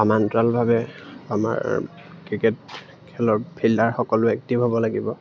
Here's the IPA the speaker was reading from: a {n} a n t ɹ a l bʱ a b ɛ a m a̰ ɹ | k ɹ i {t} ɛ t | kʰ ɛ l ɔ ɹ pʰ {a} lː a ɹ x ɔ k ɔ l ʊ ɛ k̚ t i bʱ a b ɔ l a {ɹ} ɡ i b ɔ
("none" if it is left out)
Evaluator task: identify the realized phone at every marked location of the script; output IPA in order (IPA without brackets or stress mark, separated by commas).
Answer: m, k, i, none